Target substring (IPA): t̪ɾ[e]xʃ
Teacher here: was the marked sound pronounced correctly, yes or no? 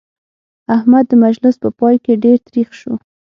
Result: no